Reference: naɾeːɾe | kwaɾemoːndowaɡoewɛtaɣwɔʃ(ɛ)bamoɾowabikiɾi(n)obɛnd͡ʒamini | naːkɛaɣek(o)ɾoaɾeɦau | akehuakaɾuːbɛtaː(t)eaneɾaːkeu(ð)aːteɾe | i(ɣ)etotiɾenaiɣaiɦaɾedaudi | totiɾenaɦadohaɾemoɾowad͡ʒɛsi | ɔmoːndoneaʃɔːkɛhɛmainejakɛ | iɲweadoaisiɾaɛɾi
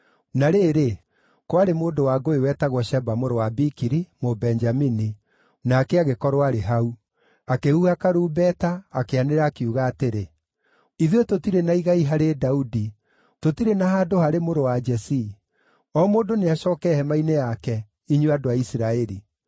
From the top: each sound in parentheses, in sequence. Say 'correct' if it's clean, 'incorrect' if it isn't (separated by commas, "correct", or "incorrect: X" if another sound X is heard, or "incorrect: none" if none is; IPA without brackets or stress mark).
correct, incorrect: m, incorrect: ɔ, incorrect: k, incorrect: ɣ, incorrect: ð